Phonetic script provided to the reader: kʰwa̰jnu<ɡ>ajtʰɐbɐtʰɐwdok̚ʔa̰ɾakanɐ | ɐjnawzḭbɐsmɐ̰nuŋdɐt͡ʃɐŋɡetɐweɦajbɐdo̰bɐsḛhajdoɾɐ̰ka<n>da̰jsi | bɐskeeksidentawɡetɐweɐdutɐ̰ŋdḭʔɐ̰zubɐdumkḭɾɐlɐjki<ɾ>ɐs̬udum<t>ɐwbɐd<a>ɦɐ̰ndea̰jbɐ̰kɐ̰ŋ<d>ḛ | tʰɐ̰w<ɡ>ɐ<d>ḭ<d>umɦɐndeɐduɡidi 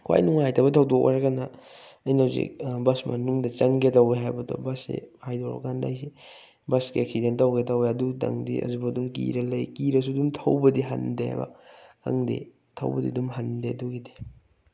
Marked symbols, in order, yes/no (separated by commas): no, yes, yes, no, no, yes, no, yes, yes